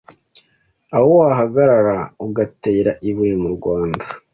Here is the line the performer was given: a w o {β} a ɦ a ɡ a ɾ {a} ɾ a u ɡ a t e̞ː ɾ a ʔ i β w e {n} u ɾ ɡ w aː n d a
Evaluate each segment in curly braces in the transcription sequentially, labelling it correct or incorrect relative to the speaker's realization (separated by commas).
incorrect, correct, incorrect